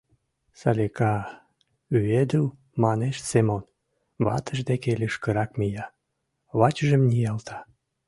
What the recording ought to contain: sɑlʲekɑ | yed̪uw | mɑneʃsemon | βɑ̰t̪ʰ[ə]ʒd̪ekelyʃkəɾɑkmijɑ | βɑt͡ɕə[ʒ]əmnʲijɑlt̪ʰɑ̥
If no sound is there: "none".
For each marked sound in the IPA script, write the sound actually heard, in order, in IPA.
ə, ʒ

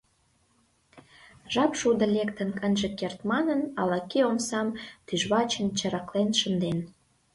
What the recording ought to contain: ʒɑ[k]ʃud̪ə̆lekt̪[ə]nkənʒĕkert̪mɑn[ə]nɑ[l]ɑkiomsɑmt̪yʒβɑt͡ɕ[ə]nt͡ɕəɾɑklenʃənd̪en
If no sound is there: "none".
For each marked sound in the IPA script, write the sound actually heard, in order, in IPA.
p, ə, ə, l, ə

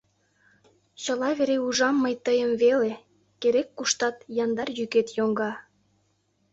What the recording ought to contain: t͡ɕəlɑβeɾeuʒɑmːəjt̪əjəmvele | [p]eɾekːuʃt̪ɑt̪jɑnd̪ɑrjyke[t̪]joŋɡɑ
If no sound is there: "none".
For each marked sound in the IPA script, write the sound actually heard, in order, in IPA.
k, t̪

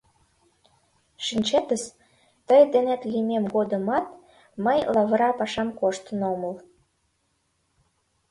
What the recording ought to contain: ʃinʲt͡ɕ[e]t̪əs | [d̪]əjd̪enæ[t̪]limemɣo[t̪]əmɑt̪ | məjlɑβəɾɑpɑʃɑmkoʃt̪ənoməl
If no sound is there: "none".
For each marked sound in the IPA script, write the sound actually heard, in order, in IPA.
e, t̪, t̪, d̪

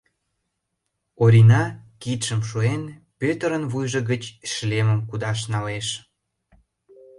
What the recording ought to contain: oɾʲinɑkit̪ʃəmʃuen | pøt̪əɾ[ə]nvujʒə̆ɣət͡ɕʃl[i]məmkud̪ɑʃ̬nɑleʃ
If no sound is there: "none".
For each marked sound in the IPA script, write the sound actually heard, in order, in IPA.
ə, e

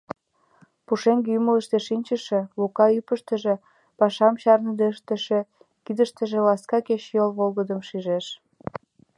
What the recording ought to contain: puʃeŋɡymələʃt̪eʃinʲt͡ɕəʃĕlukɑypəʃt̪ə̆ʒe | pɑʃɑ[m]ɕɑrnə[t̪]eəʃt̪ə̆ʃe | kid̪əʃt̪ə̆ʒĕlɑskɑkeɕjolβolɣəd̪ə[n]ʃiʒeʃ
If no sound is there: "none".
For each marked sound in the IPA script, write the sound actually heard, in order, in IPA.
m, d̪, m

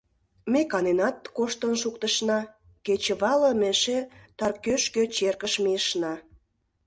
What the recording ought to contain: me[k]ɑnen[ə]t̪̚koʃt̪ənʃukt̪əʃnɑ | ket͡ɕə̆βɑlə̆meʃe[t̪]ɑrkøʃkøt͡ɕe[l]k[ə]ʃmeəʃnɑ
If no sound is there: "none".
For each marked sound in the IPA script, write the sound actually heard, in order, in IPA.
k, ɑ, t̪, r, ə

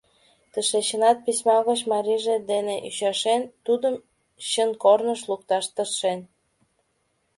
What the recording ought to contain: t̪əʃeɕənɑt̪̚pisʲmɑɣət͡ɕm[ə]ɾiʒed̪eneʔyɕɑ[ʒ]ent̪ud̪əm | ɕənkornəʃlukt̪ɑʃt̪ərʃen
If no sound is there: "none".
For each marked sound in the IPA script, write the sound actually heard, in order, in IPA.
ɑ, ʃ

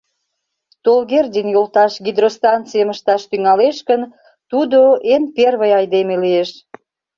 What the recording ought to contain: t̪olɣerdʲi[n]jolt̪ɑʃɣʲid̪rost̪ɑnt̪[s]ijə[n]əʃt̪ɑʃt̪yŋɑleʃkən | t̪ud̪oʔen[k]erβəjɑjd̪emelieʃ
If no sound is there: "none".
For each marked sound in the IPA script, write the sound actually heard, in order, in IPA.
n, t͡s, m, p

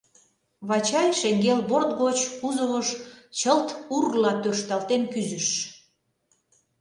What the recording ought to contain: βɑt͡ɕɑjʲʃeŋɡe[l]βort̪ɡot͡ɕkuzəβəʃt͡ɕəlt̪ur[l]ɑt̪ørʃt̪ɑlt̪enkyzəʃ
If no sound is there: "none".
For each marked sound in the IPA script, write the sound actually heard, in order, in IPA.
l, l

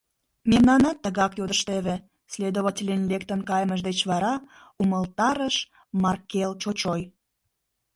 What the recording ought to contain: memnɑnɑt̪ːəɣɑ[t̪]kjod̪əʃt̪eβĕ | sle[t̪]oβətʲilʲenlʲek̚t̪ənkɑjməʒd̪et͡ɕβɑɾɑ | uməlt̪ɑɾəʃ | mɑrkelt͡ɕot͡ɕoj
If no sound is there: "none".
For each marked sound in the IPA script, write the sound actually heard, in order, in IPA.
none, d̪

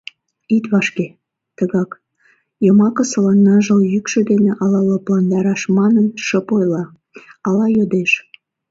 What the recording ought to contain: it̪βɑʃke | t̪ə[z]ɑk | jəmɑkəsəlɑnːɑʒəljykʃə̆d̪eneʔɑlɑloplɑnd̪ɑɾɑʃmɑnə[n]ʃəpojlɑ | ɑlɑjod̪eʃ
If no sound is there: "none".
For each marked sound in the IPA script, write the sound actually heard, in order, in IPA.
ɣ, n

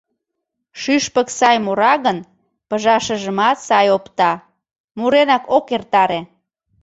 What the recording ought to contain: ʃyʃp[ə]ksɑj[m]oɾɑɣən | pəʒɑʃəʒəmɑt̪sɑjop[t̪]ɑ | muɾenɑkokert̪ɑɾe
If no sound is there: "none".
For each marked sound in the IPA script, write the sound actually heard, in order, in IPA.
ə, m, t̪

